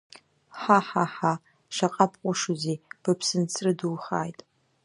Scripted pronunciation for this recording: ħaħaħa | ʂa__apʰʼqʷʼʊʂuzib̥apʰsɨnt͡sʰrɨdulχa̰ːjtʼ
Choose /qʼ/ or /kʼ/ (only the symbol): qʼ